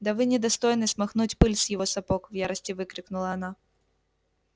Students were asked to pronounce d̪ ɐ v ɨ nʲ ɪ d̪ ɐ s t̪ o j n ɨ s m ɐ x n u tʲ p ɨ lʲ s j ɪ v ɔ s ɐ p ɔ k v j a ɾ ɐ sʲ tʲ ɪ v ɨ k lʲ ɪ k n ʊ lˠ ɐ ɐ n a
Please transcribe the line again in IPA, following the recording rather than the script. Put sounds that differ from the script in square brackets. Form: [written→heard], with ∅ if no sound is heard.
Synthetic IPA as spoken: d̪ ɐ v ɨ nʲ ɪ d̪ ɐ s t̪ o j n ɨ s m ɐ x n u tʲ p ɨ lʲ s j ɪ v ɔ s ɐ p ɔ k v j a ɾ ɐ sʲ tʲ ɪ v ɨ k [lʲ→ɾʲ] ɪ k n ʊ lˠ ɐ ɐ n a